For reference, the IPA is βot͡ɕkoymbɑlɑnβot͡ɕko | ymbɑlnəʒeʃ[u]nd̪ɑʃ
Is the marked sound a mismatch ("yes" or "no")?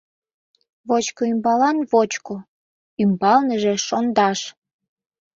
yes